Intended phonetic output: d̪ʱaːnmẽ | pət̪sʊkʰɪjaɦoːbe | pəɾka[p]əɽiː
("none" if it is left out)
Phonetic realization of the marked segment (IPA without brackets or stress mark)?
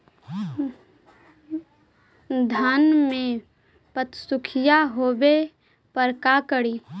k